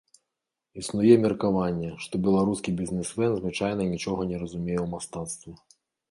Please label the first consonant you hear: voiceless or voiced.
voiceless